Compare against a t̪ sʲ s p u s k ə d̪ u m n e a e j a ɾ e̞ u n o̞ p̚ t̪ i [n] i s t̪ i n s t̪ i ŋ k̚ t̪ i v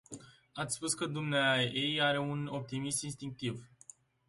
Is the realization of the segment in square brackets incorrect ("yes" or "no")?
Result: yes